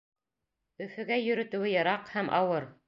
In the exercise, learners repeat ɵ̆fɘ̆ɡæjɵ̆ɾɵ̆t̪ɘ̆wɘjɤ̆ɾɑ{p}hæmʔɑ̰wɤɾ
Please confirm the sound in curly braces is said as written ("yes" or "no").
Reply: no